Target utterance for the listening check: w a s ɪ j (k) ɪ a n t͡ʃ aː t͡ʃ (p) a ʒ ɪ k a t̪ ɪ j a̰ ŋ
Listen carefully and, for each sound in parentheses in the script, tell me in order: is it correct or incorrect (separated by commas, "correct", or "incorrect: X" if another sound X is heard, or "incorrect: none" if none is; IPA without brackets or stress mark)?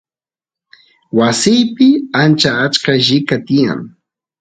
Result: incorrect: p, incorrect: k